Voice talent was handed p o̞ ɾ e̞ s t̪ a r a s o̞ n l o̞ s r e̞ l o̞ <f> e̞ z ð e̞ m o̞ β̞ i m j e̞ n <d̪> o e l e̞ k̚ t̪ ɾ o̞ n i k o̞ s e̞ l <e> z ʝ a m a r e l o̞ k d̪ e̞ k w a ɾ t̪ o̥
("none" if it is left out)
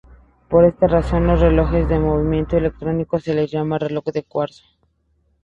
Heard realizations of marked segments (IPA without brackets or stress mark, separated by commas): x, t̪, e